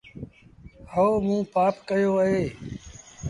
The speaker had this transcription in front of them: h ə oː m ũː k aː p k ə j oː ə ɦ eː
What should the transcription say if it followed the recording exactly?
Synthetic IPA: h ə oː m ũː p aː p k ə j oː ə ɦ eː